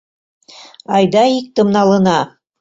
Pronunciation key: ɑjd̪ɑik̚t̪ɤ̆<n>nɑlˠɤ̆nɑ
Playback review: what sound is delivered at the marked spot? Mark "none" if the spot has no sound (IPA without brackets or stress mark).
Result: m